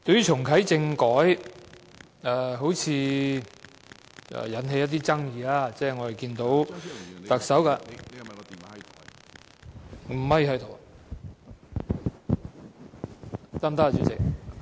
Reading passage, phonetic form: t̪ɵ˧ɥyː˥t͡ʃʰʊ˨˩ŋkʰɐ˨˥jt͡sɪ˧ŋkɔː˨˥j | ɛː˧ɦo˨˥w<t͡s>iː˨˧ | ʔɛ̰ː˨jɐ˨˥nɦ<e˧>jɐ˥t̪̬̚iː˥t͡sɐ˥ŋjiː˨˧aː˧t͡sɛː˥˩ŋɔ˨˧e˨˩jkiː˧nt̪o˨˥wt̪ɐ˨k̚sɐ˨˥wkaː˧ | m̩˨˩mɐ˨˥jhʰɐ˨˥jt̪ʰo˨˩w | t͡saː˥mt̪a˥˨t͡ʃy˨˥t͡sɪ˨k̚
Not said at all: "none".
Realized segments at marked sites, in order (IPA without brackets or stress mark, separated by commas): t͡sʰ, e˧